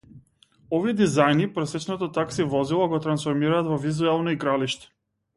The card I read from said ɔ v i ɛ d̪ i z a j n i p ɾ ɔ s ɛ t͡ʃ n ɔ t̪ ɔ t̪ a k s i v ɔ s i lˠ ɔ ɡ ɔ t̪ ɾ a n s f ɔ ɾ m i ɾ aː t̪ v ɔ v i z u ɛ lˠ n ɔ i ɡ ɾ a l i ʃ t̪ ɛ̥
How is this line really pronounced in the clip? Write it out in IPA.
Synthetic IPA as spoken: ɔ v i ɛ d̪ i z a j n i p ɾ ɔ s ɛ t͡ʃ n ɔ t̪ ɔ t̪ a k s i v ɔ z i lˠ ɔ ɡ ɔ t̪ ɾ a n s f ɔ ɾ m i ɾ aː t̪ v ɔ v i z u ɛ lˠ n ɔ i ɡ ɾ a l i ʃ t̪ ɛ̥